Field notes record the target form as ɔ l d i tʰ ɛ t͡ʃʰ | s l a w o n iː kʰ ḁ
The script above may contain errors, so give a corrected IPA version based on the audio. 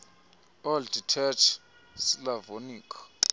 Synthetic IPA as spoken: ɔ l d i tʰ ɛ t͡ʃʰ | s l a v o n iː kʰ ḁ